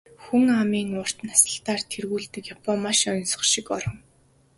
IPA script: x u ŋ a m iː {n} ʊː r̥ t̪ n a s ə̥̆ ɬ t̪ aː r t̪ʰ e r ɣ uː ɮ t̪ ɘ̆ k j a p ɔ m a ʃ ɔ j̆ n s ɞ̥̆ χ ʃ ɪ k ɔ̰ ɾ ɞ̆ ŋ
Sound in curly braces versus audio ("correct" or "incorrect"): incorrect